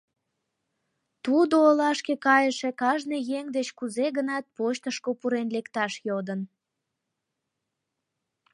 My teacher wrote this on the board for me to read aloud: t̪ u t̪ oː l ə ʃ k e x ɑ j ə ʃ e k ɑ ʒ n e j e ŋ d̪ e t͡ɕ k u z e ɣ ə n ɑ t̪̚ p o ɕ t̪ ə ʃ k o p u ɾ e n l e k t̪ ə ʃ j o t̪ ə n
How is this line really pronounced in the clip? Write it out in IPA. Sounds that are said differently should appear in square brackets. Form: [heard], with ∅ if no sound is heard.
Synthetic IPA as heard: t̪ u [d̪] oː l [ɑ] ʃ k e [k] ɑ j ə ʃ e k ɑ ʒ n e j e ŋ d̪ e t͡ɕ k u z e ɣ ə n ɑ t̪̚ p o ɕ t̪ ə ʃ k o p u ɾ e n l e k t̪ [ɑ] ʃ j o [d̪] ə n

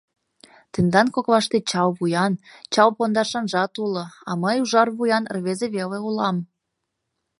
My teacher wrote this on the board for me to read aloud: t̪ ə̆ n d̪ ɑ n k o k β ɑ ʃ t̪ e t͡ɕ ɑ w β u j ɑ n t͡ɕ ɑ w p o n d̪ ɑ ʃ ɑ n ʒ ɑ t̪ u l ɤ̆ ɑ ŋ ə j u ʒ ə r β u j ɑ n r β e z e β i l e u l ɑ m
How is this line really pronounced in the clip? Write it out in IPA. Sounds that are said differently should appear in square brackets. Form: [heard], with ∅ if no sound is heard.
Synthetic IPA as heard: t̪ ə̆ n d̪ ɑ n k o k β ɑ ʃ t̪ e t͡ɕ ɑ w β u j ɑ n t͡ɕ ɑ w p o n d̪ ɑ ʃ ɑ n ʒ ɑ t̪ u l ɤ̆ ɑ [m] ə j u ʒ [ɑ] r β u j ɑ n r β e z e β [e] l e u l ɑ m

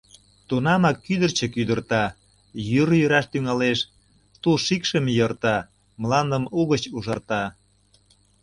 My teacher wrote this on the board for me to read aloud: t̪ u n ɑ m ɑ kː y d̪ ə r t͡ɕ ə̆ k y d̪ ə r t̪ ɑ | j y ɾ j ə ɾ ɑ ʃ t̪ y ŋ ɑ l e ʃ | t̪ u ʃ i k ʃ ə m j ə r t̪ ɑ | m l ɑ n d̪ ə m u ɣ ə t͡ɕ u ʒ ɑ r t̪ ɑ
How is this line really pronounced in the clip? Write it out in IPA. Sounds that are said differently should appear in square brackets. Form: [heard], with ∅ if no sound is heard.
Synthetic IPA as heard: t̪ u n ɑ m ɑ kː y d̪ ə r t͡ɕ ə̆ k y d̪ ə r t̪ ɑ | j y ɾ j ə ɾ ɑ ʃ t̪ y ŋ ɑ l e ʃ | t̪ u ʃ i k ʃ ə m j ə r t̪ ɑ | m l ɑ n d̪ ə m u ɣ ə t͡ɕ u ʒ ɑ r t̪ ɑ

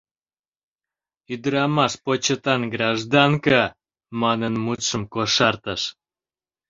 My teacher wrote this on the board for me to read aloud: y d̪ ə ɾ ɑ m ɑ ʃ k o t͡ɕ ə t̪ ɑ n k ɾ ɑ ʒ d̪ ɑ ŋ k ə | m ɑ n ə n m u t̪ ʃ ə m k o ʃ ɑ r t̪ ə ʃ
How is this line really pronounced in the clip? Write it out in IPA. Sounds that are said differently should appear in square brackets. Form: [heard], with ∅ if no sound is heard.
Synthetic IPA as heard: y d̪ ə ɾ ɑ m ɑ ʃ [p] o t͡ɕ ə t̪ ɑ n [ɡ] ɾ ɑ ʒ d̪ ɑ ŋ k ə | m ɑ n ə n m u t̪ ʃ ə m k o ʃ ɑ r t̪ ə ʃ

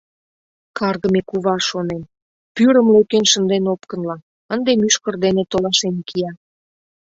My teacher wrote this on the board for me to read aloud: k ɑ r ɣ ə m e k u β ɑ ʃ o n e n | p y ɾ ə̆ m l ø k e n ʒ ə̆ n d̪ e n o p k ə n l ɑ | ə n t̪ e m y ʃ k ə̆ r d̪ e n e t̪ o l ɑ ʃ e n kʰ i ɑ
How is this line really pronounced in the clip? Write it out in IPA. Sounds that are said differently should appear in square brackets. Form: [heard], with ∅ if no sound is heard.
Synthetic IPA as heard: k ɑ r ɣ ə m e k u β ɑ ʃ o n e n | p y ɾ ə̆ m l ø k e n [ʃ] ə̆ n d̪ e n o p k ə n l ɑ | ə n [d̪] e m y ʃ k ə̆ r d̪ e n e t̪ o l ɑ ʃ e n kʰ i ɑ

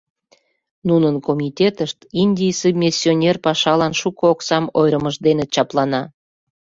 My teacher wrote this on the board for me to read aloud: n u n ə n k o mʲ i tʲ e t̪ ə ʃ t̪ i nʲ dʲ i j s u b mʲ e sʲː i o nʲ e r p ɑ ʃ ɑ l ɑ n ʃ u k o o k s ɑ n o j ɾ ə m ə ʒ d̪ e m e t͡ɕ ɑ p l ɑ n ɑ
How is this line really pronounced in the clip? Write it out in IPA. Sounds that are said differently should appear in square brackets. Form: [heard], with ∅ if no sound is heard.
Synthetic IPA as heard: n u n ə n k o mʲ i tʲ e t̪ ə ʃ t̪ i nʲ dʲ i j s u b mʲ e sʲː i o nʲ e r p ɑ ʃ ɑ l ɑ n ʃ u k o o k s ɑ [m] o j ɾ ə m ə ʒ d̪ e [n] e t͡ɕ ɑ p l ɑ n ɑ

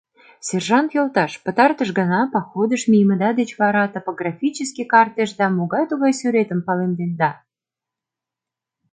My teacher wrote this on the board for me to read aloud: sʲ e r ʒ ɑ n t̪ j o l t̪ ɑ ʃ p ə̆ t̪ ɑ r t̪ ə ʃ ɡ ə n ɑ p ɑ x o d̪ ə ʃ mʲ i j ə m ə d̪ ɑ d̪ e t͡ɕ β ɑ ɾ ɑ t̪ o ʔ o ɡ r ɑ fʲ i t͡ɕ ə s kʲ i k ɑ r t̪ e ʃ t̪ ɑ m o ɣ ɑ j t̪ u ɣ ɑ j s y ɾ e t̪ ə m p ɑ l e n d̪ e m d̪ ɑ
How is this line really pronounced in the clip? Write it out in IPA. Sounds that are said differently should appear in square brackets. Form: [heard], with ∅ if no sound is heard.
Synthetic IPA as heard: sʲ e r ʒ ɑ n t̪ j o l t̪ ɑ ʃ p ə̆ t̪ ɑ r t̪ ə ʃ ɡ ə n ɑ p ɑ x o d̪ ə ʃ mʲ i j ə m ə d̪ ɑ d̪ e t͡ɕ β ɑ ɾ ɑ t̪ o [p] o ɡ r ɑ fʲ i t͡ɕ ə s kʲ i k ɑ r t̪ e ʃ [d̪] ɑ m o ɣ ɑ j t̪ u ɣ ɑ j s y ɾ e t̪ ə m p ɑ l e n d̪ e [n] d̪ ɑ

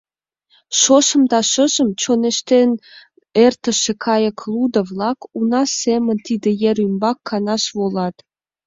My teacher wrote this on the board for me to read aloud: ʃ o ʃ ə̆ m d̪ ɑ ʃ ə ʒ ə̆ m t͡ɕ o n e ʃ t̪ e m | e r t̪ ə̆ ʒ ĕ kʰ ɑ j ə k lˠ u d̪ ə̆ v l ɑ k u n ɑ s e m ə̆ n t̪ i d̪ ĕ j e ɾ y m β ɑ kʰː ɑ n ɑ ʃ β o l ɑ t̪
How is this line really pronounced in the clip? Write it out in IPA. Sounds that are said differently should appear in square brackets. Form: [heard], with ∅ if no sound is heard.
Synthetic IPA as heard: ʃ o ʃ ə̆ m d̪ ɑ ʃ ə ʒ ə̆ m t͡ɕ o n e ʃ t̪ e [n] | e r t̪ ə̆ [ʃ] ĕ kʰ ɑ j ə k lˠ u d̪ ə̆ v l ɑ k u n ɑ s e m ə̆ n t̪ i d̪ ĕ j e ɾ y m [b] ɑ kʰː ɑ n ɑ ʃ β o l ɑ t̪

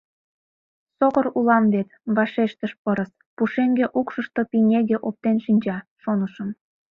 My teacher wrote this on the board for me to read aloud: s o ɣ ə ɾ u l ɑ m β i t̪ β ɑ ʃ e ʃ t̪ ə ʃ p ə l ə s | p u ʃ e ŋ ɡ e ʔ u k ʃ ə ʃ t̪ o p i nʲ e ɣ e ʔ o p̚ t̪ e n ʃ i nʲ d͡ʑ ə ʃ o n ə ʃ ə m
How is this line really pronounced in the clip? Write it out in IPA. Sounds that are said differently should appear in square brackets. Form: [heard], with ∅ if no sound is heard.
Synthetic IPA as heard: s o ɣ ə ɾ u l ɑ m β [e] t̪ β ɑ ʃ e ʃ t̪ ə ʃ p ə [ɾ] ə s | p u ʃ e ŋ ɡ e ʔ u k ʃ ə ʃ t̪ o p i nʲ e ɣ e ʔ o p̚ t̪ e n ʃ i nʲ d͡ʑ [ɑ] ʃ o n ə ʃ ə m

